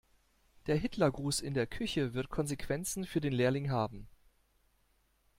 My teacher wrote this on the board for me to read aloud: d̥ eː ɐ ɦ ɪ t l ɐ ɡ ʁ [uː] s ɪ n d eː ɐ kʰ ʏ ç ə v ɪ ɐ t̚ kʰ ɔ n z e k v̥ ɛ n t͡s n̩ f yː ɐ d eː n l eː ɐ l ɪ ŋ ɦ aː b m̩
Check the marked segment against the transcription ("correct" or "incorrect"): correct